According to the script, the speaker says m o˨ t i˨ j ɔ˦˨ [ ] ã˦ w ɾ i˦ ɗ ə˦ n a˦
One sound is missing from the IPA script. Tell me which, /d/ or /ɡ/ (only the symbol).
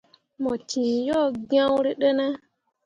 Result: ɡ